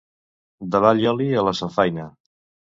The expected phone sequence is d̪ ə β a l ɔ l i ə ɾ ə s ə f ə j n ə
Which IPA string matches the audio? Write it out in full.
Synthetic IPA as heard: d̪ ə β a ʎ ɔ l i ə l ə s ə f a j n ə

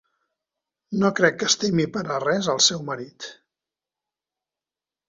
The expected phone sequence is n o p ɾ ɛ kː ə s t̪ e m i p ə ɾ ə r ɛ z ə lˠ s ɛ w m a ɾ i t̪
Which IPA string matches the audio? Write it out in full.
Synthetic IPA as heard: n o k ɾ ɛ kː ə s t̪ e m i p ə ɾ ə r ɛ z ə lˠ s ɛ w m ə ɾ i t̪

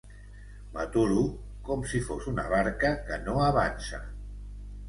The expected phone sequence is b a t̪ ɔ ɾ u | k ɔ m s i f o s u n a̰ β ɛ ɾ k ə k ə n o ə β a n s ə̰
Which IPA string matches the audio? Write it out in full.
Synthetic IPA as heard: m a t̪ u ɾ u | k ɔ m s i f o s u n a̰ β a ɾ k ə k ə n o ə β a n s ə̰

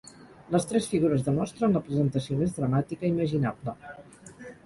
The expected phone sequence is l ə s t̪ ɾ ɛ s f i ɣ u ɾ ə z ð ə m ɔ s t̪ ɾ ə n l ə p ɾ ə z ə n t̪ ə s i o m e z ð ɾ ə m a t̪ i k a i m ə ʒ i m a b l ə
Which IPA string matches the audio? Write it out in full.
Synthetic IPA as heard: l ə s t̪ ɾ ɛ s f i ɣ u ɾ ə z ð ə m ɔ s t̪ ɾ ə n l ə p ɾ ə z ə n t̪ ə s i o m e z ð ɾ ə m a t̪ i k ə i m ə ʒ i n a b l ə

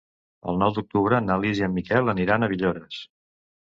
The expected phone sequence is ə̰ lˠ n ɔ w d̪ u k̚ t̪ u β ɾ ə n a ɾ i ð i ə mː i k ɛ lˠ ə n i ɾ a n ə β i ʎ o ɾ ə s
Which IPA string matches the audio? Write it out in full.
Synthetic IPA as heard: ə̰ lˠ n ɔ w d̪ u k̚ t̪ u β ɾ ə n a l i z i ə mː i k ɛ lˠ ə n i ɾ a n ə β i ʎ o ɾ ə s

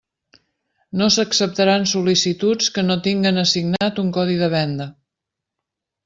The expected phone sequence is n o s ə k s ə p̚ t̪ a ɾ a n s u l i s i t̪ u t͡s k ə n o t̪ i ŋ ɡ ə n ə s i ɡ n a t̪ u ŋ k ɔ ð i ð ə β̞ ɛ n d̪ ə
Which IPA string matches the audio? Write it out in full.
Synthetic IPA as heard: n o s ə k s ə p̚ t̪ ə ɾ a n s u l i s i t̪ u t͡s k ə n o t̪ i ŋ ɡ ə n ə s i ɡ n a t̪ u ŋ k ɔ ð i ð ə β̞ ɛ n d̪ ə

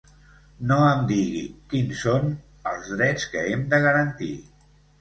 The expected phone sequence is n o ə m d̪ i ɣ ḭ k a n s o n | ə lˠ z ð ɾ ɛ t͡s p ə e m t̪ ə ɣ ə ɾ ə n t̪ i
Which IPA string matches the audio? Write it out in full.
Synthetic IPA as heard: n o ə m d̪ i ɣ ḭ k i n s o n | ə lˠ z ð ɾ ɛ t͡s k ə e m d̪ ə ɣ ə ɾ ə n t̪ i

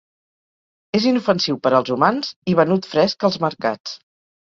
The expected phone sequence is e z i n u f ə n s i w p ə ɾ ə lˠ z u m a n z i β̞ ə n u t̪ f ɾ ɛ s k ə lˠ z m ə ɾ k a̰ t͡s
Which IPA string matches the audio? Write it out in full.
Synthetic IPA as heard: e z i n u f ə n s i w p ə ɾ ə lˠ z u m a n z i β̞ ə n u t̪ f ɾ ɛ s k ə lˠ z m ə ɾ k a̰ t͡s

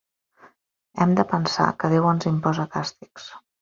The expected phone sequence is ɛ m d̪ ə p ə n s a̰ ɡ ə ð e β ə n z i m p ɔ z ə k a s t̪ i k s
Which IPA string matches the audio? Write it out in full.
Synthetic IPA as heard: ɛ m d̪ ə p ə n s a̰ k ə ð e w ə n z i m p ɔ z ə k a s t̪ i k s

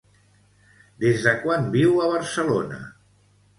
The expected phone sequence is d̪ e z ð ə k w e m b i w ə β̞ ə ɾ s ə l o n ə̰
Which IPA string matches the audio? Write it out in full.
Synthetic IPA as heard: d̪ e z ð ə k w a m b i w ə β̞ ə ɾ s ə l o n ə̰

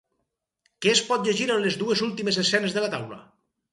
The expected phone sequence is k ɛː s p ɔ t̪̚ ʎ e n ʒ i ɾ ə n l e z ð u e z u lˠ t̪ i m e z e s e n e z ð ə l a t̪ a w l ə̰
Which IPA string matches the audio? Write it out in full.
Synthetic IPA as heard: k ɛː s p ɔ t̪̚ ʎ e ʒ i ɾ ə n l e z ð u e z u lˠ t̪ i m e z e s ɛ n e z ð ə l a t̪ a w l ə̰

